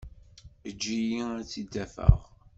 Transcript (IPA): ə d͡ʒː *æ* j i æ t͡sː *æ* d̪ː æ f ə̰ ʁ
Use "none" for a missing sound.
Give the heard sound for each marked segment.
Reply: i, i

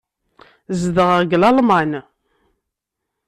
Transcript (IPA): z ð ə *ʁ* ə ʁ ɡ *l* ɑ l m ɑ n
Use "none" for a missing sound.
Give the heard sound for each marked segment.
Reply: ʁ, l

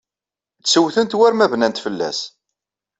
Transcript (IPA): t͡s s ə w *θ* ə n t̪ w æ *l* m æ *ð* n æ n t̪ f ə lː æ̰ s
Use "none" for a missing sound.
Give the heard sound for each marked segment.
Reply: θ, ɾ, v

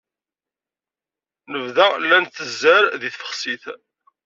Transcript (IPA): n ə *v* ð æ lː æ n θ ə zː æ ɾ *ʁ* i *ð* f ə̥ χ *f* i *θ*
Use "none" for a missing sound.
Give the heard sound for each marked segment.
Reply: v, ð, θ, s, θ

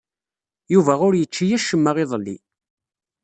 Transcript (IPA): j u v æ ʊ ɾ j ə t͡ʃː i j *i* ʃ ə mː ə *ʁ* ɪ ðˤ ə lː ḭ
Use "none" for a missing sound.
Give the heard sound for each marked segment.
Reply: æ, ʁ

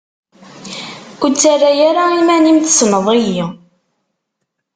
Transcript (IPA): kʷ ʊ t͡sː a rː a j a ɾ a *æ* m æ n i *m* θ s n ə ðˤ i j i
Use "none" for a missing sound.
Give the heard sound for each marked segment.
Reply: i, m

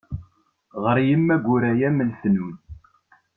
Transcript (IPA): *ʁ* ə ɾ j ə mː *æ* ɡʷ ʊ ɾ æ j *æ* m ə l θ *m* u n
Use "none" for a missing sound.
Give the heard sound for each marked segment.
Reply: ʁ, æ, æ, n

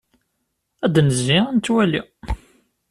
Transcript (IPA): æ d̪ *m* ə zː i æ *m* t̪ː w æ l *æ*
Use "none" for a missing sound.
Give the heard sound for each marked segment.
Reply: n, n, i

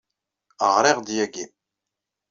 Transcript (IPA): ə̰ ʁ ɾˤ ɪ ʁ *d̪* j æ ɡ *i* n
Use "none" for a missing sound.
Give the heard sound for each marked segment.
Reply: d̪, i

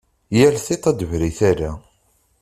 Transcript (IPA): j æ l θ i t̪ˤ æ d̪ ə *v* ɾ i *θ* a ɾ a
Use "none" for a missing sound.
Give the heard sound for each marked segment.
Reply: v, θ

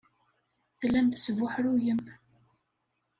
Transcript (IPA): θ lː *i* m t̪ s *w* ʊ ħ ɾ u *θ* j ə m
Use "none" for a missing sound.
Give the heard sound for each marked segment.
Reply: æ, v, none

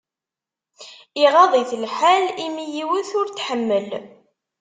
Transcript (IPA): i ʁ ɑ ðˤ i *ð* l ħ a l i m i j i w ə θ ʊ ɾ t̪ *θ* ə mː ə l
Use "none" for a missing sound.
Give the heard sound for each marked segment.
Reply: θ, ħ

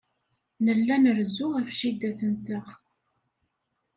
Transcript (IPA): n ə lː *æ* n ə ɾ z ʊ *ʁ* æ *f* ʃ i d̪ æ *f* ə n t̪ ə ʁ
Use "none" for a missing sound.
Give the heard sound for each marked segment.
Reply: æ, ʁ, f, θ

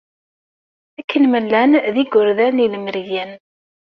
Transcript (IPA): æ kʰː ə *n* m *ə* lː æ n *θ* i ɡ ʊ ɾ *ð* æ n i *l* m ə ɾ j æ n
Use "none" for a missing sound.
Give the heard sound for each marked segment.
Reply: n, ə, ð, ð, l

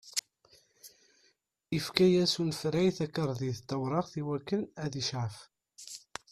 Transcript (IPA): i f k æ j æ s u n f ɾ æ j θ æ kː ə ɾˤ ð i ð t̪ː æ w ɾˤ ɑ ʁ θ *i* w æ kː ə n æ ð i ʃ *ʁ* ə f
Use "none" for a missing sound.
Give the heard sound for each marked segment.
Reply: i, ʕ

